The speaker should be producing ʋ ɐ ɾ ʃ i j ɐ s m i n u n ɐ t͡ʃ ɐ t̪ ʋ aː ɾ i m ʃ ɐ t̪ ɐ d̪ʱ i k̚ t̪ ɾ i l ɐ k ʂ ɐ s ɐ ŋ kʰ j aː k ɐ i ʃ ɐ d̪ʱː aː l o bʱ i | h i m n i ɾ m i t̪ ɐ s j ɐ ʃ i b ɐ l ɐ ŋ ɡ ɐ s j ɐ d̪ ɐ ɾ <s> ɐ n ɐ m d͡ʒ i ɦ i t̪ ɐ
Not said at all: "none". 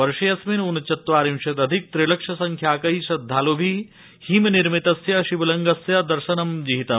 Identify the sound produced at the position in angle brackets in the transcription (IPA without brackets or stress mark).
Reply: ʃ